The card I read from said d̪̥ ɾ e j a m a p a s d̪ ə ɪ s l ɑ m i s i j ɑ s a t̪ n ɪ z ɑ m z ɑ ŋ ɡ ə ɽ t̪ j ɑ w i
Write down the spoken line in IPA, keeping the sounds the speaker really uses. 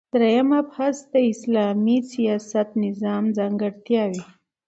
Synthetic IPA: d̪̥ ɾ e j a m a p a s d̪ ə ɪ s l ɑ m i s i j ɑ s a t̪ n ɪ z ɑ m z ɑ ŋ ɡ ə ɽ t̪ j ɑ w i

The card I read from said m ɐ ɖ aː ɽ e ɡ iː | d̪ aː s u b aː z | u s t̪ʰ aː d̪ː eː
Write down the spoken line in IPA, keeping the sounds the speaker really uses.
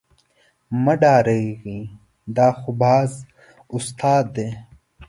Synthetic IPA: m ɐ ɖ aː ɾ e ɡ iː | d̪ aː x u b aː z | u s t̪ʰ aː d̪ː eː

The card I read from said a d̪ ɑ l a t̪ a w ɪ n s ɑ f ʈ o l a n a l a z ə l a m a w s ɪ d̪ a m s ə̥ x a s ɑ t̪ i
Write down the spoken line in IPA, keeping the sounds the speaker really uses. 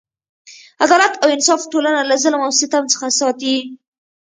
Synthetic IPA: a d̪ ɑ l a t̪ a w ɪ n s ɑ f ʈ o l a n a l a z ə l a m a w s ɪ t̪ a m t͡s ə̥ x a s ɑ t̪ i

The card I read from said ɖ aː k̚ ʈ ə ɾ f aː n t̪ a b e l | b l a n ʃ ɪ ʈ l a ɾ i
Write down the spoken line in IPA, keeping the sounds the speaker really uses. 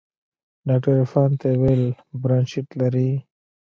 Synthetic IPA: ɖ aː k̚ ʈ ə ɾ f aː n t̪ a w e l | b ɾ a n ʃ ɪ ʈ l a ɾ i

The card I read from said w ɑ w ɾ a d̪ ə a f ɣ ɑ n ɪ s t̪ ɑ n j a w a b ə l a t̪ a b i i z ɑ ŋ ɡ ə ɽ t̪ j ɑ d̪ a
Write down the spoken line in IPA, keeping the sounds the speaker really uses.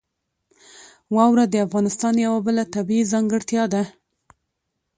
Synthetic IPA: w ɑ w ɾ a d̪ ə a f ɣ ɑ n ɪ s t̪ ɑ n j a w a b ə l a t̪ a b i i z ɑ ŋ ɡ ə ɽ t̪ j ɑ d̪ a

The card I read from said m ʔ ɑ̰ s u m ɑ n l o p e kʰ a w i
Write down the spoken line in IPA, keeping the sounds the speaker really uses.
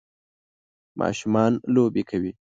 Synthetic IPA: m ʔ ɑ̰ ʃ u m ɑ n l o b e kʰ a w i

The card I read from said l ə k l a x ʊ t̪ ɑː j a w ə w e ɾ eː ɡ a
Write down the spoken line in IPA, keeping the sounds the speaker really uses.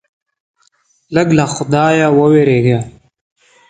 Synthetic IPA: l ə ɡ l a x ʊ d̪ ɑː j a w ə w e ɾ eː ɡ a

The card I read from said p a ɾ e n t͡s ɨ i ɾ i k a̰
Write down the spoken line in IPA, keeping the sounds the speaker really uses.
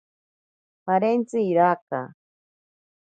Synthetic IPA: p a ɾ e n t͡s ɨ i ɾ a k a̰

